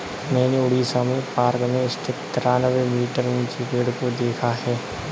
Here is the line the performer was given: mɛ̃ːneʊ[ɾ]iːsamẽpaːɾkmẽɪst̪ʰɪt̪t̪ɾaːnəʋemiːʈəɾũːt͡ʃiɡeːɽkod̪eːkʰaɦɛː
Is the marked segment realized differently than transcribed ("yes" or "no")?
yes